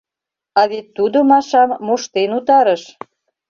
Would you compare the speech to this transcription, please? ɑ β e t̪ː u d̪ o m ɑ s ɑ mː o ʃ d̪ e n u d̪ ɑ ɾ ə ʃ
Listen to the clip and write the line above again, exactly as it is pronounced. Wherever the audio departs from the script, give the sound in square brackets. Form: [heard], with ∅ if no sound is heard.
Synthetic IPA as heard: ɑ β e t̪ː u d̪ o m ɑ [ʃ] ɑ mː o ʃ [t̪] e n u [t̪] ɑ ɾ ə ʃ